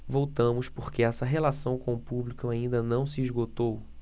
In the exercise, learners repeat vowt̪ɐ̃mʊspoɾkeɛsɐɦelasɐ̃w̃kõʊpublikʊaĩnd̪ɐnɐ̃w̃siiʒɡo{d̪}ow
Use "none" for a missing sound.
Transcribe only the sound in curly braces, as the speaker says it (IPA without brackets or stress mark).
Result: t̪